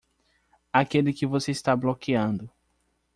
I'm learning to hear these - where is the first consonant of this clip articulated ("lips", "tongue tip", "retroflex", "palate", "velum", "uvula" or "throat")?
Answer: velum